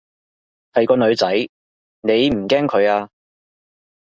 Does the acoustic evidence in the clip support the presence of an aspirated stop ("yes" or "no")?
yes